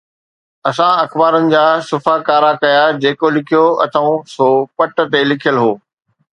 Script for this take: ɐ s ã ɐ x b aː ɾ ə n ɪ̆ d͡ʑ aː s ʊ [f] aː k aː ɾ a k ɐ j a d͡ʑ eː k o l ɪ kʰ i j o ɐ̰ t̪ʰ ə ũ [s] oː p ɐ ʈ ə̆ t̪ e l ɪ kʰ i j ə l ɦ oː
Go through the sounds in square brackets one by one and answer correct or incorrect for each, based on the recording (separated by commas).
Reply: correct, correct